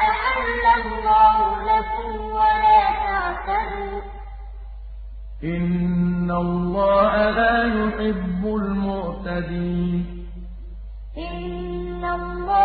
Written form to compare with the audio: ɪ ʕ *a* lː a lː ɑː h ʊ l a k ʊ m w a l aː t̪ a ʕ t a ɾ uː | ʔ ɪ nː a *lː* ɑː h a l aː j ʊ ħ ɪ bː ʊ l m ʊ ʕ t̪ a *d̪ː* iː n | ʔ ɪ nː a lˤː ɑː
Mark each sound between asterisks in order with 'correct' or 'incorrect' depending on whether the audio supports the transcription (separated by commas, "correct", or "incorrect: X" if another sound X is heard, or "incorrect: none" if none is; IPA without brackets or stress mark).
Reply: correct, correct, incorrect: d̪